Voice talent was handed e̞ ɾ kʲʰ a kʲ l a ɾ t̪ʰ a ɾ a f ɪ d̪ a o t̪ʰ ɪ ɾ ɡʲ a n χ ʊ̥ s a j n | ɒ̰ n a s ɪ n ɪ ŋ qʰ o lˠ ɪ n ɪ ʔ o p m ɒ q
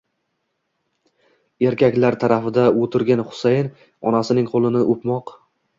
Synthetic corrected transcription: e̞ ɾ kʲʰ a kʲ l a ɾ t̪ʰ a ɾ a f ɪ d̪ a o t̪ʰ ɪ ɾ ɡʲ a n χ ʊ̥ s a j n | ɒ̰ n a s ɪ n ɪ ŋ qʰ o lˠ ɪ n ɪ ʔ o p m ɒ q